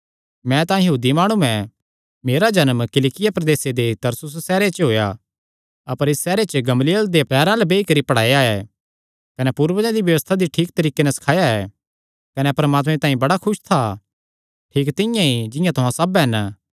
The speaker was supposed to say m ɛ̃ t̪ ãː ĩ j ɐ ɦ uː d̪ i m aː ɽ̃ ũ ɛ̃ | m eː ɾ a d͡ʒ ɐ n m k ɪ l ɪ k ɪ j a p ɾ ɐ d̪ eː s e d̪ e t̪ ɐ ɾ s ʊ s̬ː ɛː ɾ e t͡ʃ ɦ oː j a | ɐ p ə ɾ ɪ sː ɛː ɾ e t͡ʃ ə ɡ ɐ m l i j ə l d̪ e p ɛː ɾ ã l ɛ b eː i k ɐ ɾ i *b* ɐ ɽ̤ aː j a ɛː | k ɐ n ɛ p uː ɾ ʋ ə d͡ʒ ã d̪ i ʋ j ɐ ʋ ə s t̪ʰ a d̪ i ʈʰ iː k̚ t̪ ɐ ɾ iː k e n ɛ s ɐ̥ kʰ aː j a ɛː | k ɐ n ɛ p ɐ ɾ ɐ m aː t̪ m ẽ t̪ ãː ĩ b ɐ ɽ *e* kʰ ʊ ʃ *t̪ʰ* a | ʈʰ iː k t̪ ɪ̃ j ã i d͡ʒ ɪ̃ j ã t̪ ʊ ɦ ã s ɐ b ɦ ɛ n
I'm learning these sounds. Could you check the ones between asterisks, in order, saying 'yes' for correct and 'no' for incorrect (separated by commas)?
no, no, yes